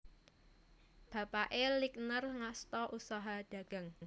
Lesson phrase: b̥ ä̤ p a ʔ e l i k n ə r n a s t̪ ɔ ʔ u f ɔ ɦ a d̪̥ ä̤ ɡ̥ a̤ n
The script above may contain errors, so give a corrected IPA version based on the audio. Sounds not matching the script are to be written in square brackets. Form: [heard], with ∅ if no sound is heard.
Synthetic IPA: b̥ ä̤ p a ʔ e l i k n ə r [ŋ] a s t̪ ɔ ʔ u [s] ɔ ɦ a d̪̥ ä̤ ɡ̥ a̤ [ŋ]